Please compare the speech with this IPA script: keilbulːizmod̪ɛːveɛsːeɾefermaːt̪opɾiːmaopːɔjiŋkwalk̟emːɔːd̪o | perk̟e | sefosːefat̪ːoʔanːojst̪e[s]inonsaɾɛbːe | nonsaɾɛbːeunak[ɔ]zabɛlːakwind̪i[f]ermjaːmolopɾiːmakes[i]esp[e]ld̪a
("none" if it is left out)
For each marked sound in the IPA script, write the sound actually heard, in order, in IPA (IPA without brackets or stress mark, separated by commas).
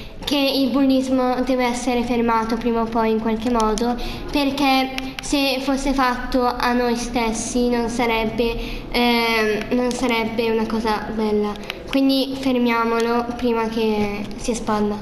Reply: sː, ɔː, f, i, a